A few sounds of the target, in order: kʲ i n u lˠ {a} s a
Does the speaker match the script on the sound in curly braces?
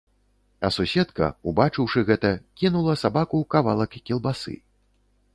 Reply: no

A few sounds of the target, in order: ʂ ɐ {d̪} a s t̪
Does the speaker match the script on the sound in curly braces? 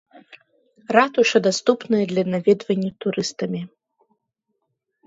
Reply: yes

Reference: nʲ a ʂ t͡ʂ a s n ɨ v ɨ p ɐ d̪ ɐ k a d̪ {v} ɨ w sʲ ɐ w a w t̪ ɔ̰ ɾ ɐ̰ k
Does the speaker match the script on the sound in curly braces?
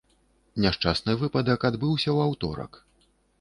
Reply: no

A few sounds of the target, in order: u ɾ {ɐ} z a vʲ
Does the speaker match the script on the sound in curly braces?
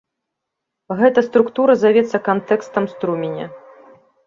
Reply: yes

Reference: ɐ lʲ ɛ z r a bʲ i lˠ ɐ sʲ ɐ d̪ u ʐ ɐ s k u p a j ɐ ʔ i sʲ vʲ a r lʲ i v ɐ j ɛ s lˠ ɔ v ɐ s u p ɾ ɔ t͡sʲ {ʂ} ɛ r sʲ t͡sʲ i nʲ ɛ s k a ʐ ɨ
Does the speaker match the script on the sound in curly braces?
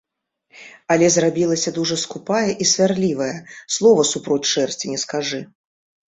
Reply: yes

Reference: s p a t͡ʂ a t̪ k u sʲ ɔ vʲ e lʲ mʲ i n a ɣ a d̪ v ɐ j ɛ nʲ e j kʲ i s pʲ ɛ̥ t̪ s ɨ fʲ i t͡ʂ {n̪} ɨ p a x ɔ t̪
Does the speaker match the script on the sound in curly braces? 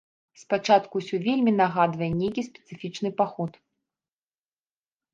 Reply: yes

